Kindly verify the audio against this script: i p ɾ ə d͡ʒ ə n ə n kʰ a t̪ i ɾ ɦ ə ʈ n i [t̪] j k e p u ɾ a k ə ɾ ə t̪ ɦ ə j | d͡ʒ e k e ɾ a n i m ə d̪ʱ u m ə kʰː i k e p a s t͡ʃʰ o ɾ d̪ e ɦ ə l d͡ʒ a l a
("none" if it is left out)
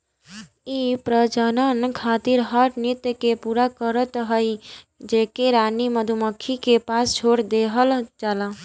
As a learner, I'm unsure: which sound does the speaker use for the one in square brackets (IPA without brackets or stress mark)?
t̪